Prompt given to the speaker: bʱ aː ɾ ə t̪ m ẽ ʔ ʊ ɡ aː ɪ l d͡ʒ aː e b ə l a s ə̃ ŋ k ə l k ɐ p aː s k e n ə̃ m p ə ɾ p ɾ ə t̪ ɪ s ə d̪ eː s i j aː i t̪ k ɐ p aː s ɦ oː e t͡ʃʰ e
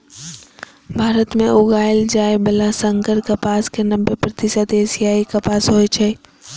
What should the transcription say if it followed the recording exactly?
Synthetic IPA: bʱ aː ɾ ə t̪ m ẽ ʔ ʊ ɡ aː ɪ l d͡ʒ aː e b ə l a s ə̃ ŋ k ə ɾ k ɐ p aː s k e n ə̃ m b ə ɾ p ɾ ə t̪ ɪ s ə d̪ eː s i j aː i k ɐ p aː s ɦ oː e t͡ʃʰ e

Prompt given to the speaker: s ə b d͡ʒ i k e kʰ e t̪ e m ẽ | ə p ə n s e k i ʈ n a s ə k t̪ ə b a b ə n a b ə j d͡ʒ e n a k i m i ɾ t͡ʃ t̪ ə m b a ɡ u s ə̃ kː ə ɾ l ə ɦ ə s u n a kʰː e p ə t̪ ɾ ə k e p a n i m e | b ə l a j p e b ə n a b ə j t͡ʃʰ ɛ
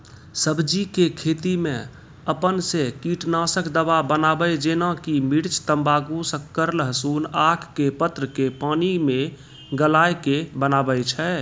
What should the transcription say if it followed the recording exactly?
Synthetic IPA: s ə b d͡ʒ i k e kʰ e t̪ i m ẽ | ə p ə n s e k i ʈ n a s ə k d̪ ə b a b ə n a b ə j d͡ʒ e n a k i m i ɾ t͡ʃ t̪ ə m b a ɡ u s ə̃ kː ə ɾ l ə ɦ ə s u n a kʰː e p ə t̪ ɾ ə k e p a n i m e | ɡ ə l a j k e b ə n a b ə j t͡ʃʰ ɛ

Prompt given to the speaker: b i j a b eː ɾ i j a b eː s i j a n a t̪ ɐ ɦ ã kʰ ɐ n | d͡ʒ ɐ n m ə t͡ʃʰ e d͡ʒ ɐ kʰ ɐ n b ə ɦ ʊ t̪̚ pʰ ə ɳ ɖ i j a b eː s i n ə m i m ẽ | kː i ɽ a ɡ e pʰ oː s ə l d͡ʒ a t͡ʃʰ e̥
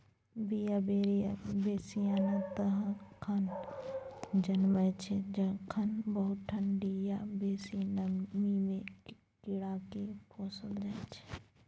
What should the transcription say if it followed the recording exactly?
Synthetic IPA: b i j a b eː ɾ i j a b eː s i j a n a t̪ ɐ ɦ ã kʰ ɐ n | d͡ʒ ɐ n m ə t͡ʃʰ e d͡ʒ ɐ kʰ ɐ n b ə ɦ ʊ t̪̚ ʈʰ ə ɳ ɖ i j a b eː s i n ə m i m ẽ | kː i ɽ a k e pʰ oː s ə l d͡ʒ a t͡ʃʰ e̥

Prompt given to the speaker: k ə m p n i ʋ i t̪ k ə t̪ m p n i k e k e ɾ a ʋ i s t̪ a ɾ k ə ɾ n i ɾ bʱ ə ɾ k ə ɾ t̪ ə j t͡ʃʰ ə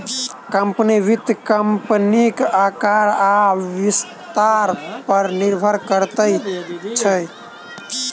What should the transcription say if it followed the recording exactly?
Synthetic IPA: k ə m p n i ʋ i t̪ k ə m p n i k a k a ɾ a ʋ i s t̪ a ɾ p ə ɾ n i ɾ bʱ ə ɾ k ə ɾ t̪ ə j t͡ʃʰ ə

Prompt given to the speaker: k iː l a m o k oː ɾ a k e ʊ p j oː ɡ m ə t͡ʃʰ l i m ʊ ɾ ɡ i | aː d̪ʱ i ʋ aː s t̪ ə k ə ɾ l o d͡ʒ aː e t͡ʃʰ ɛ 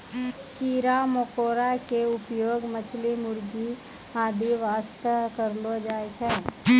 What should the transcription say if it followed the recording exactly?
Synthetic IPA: k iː ɾ a m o k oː ɾ a k e ʊ p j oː ɡ m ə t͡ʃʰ l i m ʊ ɾ ɡ i | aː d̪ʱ i ʋ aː s t̪ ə k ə ɾ l o d͡ʒ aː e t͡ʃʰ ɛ

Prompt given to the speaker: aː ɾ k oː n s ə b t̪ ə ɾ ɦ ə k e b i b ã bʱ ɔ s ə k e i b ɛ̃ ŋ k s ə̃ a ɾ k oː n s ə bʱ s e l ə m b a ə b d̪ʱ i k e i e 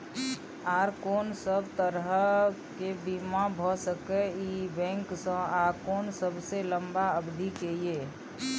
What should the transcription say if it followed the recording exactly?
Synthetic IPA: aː ɾ k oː n s ə b t̪ ə ɾ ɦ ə k e b i m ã bʱ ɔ s ə k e i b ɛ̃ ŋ k s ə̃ a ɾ k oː n s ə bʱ s e l ə m b a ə b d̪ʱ i k e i e

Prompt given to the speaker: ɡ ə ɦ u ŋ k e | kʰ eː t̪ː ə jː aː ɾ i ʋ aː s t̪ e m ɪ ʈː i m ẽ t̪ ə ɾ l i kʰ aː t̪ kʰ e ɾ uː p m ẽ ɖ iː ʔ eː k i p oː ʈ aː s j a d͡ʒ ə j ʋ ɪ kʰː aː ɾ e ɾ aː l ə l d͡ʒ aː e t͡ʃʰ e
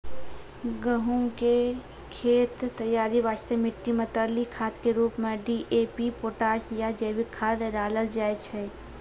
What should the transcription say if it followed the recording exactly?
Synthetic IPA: ɡ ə ɦ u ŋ k e | kʰ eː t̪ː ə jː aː ɾ i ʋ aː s t̪ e m ɪ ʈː i m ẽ t̪ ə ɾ l i kʰ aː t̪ k e ɾ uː p m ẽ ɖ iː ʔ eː p i p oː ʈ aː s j a d͡ʒ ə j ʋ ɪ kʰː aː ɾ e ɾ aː l ə l d͡ʒ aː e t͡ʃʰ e

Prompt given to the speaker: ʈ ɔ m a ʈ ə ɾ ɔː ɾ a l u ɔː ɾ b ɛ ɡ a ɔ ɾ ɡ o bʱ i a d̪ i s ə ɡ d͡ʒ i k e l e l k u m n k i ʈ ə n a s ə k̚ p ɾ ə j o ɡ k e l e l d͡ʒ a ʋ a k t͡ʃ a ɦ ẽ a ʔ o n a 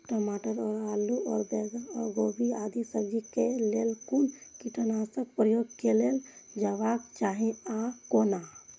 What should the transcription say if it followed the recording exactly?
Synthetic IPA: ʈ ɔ m a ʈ ə ɾ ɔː ɾ a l u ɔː ɾ b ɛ ɡ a ɔ ɾ ɡ o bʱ i a d̪ i s ə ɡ d͡ʒ i k e l e l k u n k i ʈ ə n a s ə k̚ p ɾ ə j o ɡ k e l e l d͡ʒ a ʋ a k t͡ʃ a ɦ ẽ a k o n a

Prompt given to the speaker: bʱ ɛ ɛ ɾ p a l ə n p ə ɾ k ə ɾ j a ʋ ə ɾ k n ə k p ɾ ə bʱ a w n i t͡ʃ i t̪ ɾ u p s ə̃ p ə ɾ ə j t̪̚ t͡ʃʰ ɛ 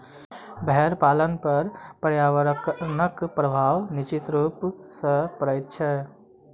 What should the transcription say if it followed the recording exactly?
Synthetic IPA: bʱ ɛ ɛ ɾ p a l ə n p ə ɾ p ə ɾ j a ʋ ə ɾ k n ə k p ɾ ə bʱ a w n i t͡ʃ i t̪ ɾ u p s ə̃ p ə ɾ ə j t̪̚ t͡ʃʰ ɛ

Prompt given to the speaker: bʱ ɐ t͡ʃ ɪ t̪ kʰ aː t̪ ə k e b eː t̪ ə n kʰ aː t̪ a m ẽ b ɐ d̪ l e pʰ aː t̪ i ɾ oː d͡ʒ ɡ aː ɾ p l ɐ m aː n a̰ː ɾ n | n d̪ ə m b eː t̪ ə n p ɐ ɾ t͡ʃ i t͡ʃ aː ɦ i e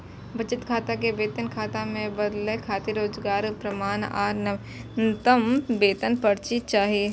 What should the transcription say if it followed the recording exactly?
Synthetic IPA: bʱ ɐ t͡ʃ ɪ t̪ kʰ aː t̪ a k e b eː t̪ ə n kʰ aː t̪ a m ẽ b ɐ d̪ l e kʰ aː t̪ i ɾ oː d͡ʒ ɡ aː ɾ p ɾ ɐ m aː n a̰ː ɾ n | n t̪ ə m b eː t̪ ə n p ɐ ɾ t͡ʃ i t͡ʃ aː ɦ i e

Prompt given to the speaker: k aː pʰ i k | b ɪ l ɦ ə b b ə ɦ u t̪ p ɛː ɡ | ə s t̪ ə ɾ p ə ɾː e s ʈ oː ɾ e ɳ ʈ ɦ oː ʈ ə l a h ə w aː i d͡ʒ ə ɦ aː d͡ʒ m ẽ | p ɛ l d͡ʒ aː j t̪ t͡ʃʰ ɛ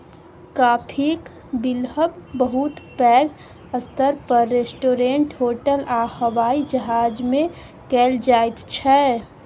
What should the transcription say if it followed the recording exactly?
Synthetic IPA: k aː pʰ i k | b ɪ l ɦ ə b b ə ɦ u t̪ p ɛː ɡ | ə s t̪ ə ɾ p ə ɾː e s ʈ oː ɾ e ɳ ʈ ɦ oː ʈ ə l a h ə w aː i d͡ʒ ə ɦ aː d͡ʒ m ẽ | k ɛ l d͡ʒ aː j t̪ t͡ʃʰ ɛ

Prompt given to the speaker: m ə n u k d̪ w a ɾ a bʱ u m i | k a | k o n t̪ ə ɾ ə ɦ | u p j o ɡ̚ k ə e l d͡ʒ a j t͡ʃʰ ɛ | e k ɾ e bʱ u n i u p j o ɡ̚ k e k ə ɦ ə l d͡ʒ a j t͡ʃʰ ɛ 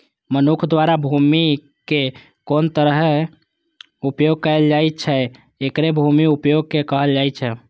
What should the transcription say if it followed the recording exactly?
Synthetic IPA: m ə n u kʰ d̪ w a ɾ a bʱ u m i | k e | k o n t̪ ə ɾ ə ɦ | u p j o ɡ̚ k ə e l d͡ʒ a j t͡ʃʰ ɛ | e k ɾ e bʱ u m i u p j o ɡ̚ k e k ə ɦ ə l d͡ʒ a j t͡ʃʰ ɛ

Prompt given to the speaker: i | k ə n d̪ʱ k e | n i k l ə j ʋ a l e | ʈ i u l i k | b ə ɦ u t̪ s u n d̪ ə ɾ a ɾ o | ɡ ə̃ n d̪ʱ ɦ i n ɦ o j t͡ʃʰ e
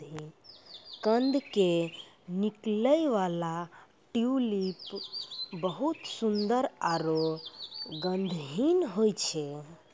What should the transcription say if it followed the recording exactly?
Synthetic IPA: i | k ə n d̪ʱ k e | n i k l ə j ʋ a l a | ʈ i u l i p | b ə ɦ u t̪ s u n d̪ ə ɾ a ɾ o | ɡ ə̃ n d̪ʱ ɦ i n ɦ o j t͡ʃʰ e

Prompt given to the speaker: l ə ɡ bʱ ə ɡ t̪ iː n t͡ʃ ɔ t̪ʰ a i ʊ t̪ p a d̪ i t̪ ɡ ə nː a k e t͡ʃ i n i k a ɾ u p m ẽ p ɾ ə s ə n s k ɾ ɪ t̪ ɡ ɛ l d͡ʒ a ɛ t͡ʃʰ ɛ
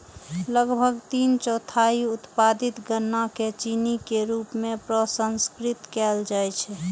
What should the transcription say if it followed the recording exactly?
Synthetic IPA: l ə ɡ bʱ ə ɡ t̪ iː n t͡ʃ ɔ t̪ʰ a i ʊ t̪ p a d̪ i t̪ ɡ ə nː a k e t͡ʃ i n i k e ɾ u p m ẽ p ɾ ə s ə n s k ɾ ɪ t̪ k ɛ l d͡ʒ a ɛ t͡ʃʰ ɛ

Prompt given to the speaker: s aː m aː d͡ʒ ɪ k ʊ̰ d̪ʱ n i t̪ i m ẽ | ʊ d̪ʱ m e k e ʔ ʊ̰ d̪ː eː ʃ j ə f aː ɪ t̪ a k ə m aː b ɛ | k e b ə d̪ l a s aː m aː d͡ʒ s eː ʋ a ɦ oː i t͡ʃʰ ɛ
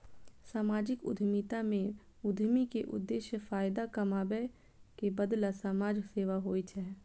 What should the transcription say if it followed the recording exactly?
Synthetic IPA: s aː m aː d͡ʒ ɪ k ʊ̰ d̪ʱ m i t̪ a m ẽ | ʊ d̪ʱ m i k e ʔ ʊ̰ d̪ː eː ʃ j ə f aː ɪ d̪ a k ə m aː b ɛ | k e b ə d̪ l a s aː m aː d͡ʒ s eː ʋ a ɦ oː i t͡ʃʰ ɛ

